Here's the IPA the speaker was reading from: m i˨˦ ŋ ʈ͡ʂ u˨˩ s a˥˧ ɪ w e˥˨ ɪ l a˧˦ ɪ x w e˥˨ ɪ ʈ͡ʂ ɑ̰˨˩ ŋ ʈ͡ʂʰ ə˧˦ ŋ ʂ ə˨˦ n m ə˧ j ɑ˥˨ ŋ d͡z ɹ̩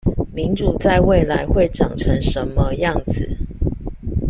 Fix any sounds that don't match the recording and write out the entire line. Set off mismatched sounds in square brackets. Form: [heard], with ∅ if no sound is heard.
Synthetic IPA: m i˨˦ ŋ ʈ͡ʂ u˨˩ [t͡s] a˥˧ ɪ w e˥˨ ɪ l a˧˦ ɪ x w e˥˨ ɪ ʈ͡ʂ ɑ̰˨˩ ŋ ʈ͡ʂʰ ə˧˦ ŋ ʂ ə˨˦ n m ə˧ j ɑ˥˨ ŋ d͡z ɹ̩